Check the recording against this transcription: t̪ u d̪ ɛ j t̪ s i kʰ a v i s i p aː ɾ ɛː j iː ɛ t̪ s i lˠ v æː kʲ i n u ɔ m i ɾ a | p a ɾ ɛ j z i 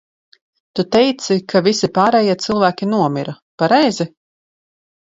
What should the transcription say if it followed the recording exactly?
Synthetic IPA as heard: t̪ u t̪ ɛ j t̪ s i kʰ a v i s i p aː ɾ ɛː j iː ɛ t̪ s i lˠ v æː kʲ i n u ɔ m i ɾ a | p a ɾ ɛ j z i